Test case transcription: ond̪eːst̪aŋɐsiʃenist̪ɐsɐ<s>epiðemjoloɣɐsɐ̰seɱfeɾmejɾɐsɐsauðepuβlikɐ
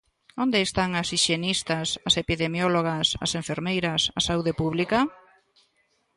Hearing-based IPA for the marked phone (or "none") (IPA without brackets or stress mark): s